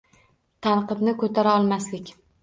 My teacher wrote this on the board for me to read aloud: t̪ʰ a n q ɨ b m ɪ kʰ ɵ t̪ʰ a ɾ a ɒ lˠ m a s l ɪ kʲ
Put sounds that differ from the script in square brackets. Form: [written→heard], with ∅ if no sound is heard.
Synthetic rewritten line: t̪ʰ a n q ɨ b [m→n] ɪ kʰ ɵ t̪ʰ a ɾ a ɒ lˠ m a s l ɪ kʲ